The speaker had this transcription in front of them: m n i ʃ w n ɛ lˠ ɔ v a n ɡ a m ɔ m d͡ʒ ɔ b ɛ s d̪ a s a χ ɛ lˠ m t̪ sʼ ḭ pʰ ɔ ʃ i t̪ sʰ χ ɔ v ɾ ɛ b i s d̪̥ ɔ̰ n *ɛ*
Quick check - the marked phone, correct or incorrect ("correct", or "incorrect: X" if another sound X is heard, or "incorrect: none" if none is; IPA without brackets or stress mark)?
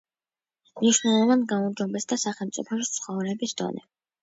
correct